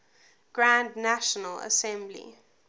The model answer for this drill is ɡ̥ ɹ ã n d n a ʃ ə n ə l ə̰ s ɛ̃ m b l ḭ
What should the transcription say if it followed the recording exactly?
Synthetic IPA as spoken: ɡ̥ ɹ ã n d n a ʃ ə n ə l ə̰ s ɛ̃ m b l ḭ